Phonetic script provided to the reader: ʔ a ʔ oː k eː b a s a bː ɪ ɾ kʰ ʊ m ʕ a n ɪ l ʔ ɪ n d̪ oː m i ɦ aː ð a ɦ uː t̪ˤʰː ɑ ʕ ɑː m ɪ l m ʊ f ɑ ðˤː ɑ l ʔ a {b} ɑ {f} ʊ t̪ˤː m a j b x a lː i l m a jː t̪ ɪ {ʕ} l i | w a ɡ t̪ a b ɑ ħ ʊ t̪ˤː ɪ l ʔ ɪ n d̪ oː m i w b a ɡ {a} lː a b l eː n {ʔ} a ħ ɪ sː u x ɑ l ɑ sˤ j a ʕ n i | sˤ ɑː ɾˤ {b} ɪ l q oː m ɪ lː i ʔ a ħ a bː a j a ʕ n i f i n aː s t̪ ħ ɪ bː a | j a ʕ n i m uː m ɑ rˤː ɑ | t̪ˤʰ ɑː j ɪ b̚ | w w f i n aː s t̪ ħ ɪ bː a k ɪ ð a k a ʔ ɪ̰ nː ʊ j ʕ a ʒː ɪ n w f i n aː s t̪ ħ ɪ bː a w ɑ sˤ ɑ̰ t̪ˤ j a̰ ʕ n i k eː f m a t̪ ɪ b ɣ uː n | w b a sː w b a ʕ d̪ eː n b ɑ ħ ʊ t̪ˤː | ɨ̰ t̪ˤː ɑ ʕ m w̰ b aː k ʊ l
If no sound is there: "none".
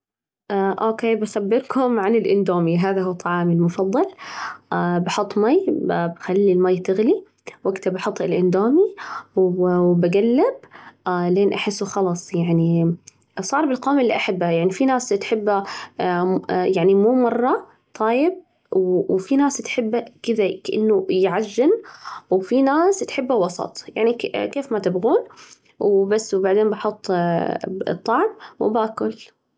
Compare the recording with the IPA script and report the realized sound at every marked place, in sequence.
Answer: b, ħ, ɣ, a, ʔ, b

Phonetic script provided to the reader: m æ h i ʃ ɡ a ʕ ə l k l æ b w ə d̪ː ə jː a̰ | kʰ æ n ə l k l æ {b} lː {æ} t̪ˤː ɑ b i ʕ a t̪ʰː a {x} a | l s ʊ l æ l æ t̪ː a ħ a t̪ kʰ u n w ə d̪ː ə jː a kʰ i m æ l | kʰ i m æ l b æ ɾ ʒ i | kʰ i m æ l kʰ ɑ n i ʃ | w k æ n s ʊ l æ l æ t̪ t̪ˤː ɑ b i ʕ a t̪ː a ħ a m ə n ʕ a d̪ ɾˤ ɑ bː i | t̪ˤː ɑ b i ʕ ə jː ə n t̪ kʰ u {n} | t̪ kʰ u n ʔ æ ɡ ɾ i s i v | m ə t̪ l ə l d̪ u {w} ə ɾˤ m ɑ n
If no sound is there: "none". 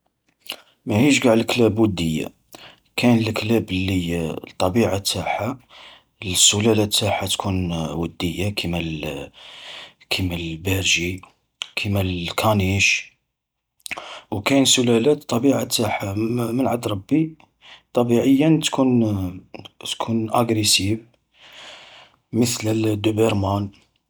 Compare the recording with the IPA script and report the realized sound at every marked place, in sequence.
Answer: b, i, ħ, n, b

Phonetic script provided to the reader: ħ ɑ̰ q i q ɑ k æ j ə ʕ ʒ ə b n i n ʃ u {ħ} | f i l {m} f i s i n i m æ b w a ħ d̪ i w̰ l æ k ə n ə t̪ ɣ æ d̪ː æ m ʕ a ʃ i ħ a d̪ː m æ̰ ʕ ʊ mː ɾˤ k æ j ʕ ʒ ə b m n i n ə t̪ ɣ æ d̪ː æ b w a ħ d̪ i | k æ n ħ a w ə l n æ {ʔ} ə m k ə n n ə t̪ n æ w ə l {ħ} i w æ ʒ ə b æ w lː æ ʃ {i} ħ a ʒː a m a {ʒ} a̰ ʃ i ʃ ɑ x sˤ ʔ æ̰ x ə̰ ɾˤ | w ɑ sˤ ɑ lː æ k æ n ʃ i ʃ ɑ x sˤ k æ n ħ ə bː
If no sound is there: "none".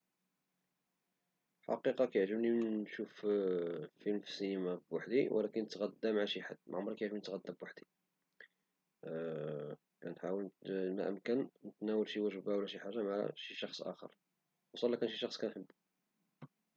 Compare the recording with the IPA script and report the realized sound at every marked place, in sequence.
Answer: f, m, ʔ, ʃ, i, ʕ

